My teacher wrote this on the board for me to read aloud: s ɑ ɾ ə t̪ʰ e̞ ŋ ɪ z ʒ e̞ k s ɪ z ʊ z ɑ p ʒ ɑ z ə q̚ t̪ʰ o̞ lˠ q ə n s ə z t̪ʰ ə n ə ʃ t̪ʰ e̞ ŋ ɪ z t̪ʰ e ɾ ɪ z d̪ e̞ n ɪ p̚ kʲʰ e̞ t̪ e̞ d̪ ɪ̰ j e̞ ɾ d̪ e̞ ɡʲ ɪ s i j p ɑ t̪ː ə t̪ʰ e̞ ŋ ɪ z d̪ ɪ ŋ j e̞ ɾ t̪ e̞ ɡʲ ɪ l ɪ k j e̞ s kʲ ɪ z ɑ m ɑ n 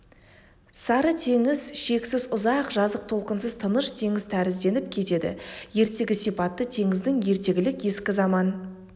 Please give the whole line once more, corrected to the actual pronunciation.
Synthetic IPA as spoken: s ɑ ɾ ə t̪ʰ e̞ ŋ ɪ z ʃ e̞ k s ɪ z ʊ z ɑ q ʒ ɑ z ə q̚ t̪ʰ o̞ lˠ q ə n s ə z t̪ʰ ə n ə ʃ t̪ʰ e̞ ŋ ɪ z t̪ʰ æ ɾ ɪ z d̪ e̞ n ɪ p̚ kʲʰ e̞ t̪ e̞ d̪ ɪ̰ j e̞ ɾ t̪ e̞ ɡʲ ɪ s i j p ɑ t̪ː ə t̪ʰ e̞ ŋ ɪ z d̪ ɪ ŋ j e̞ ɾ t̪ e̞ ɡʲ ɪ l ɪ k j e̞ s kʲ ɪ z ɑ m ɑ n